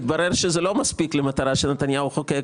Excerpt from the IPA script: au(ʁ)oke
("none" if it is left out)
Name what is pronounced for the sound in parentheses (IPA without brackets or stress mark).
χ